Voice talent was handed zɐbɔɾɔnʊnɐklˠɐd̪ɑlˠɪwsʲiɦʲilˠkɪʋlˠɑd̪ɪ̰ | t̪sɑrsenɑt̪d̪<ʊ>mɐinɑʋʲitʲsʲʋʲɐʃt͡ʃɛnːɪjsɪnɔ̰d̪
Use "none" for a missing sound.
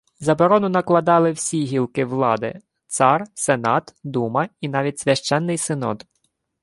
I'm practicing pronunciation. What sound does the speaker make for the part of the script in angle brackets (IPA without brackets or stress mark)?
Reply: u